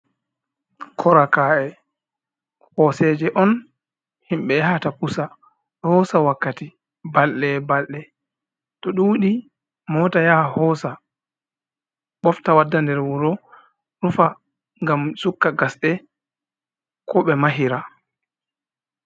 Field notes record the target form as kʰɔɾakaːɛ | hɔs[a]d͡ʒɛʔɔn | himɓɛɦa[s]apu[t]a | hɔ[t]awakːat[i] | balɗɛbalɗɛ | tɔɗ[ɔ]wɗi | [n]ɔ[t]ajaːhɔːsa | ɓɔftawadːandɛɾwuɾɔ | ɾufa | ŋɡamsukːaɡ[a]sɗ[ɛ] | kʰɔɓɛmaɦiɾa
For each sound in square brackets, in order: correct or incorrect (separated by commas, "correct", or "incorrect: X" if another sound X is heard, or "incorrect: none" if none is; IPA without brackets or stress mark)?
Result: incorrect: ɛ, incorrect: t, incorrect: s, incorrect: s, correct, incorrect: u, incorrect: m, correct, correct, correct